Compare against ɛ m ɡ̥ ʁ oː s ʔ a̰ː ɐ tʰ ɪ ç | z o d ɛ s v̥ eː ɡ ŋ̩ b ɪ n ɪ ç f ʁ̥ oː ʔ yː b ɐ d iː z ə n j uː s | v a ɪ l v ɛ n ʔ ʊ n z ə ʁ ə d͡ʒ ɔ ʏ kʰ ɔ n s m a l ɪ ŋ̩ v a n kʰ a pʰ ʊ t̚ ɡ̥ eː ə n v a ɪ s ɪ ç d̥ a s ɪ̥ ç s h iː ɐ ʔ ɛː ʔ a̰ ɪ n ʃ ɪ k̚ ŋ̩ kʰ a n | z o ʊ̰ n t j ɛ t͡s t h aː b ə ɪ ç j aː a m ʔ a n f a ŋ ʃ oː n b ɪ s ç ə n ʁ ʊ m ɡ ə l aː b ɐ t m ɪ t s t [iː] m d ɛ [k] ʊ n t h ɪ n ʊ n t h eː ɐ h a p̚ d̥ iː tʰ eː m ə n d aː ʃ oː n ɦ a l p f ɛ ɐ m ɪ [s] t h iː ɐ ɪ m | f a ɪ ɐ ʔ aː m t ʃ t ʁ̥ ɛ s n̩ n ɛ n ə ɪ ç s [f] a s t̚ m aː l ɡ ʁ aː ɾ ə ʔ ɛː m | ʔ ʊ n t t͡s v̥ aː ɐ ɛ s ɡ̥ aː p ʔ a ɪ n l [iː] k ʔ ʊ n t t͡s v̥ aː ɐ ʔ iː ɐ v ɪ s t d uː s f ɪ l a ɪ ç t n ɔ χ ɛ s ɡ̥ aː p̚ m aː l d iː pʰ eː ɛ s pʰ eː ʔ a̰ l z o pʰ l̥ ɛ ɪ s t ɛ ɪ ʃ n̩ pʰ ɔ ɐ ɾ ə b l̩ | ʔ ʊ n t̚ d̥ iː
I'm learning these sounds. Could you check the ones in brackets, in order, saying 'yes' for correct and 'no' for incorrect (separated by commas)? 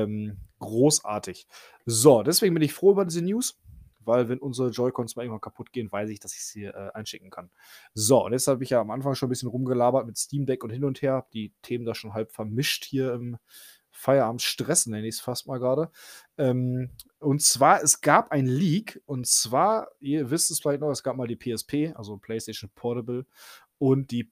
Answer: yes, yes, no, yes, yes